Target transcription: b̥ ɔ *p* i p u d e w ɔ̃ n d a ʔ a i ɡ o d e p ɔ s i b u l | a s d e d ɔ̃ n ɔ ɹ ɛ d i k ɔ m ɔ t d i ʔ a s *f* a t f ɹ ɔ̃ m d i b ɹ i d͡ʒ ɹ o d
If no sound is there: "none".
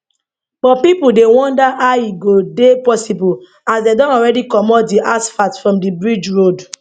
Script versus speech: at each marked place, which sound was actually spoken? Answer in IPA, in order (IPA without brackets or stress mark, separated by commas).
p, f